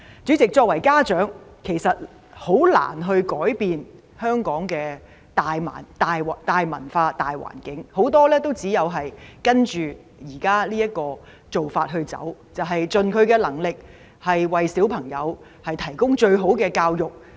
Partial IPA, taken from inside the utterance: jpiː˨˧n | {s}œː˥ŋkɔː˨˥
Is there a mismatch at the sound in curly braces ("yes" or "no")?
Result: yes